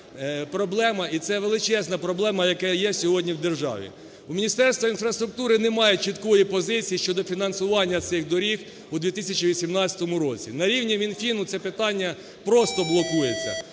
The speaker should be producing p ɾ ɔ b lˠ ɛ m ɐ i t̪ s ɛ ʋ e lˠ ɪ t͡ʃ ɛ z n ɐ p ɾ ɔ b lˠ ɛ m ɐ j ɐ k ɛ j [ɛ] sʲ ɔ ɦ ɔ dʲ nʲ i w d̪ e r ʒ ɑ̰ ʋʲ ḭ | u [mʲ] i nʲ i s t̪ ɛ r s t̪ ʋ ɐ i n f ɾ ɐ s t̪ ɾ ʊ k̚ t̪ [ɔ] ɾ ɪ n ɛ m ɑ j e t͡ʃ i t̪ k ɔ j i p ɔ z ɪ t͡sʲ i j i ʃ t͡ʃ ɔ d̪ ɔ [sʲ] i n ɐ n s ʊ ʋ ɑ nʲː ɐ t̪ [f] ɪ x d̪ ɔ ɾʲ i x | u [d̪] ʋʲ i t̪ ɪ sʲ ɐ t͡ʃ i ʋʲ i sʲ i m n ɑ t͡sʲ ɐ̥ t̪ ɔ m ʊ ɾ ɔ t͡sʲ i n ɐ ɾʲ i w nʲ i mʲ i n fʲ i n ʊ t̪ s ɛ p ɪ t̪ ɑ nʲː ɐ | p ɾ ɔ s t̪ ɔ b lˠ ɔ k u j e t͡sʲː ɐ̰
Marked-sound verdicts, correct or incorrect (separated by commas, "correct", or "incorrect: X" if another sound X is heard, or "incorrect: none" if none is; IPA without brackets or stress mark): correct, correct, incorrect: u, incorrect: fʲ, incorrect: s, correct